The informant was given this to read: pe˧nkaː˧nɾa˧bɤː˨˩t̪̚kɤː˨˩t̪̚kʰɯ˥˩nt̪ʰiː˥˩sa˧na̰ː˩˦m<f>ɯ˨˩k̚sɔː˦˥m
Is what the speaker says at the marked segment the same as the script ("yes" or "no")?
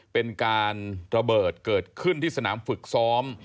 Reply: yes